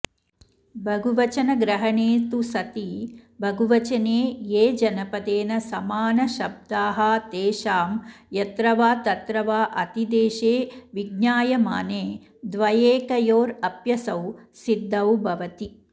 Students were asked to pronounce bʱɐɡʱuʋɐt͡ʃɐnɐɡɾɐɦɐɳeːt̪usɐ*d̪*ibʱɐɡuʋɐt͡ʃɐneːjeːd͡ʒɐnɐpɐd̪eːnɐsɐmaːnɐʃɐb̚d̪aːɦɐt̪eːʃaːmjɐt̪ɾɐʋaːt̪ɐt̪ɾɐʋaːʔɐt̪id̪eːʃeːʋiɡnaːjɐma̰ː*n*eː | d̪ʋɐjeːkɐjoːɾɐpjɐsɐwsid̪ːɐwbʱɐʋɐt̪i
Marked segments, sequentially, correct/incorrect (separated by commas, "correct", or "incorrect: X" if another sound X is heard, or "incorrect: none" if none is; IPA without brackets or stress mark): incorrect: t̪, correct